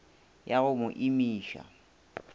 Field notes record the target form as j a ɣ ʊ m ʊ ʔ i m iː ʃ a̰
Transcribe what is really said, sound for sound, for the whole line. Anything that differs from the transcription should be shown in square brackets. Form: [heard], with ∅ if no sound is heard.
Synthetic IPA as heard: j a ɣ ʊ m ʊ ʔ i m iː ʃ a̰